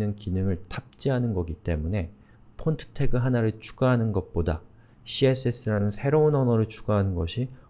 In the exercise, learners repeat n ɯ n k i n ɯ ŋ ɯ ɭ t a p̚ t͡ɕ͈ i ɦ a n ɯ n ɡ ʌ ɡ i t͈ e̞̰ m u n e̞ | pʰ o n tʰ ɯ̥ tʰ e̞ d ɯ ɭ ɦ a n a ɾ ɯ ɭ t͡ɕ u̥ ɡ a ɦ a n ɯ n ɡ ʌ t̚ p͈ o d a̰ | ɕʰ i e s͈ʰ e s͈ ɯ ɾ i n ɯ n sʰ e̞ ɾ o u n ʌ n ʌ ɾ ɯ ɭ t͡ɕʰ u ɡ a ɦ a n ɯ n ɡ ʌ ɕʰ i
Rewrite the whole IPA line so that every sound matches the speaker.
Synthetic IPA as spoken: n ɯ n k i n ɯ ŋ ɯ ɭ t a p̚ t͡ɕ͈ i ɦ a n ɯ n ɡ ʌ ɡ i t͈ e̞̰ m u n e̞ | pʰ o n tʰ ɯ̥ tʰ e̞ ɡ ɯ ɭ ɦ a n a ɾ ɯ ɭ t͡ɕʰ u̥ ɡ a ɦ a n ɯ n ɡ ʌ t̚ p͈ o d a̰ | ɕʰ i e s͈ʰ e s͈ ɯ ɾ a n ɯ n sʰ e̞ ɾ o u n ʌ n ʌ ɾ ɯ ɭ t͡ɕʰ u ɡ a ɦ a n ɯ n ɡ ʌ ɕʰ i